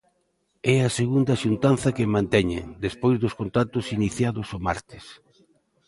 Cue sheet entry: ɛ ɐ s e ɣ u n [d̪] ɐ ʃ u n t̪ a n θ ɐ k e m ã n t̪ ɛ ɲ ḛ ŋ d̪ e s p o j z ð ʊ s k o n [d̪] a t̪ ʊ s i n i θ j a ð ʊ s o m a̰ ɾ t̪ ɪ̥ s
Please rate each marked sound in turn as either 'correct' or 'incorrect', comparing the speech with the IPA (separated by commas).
correct, incorrect